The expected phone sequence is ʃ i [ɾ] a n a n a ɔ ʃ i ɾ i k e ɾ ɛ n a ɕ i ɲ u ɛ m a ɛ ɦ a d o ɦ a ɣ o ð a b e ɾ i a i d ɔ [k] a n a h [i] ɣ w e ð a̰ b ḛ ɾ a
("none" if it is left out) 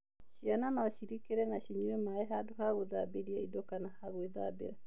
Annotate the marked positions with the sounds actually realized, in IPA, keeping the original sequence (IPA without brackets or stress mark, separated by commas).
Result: none, k, a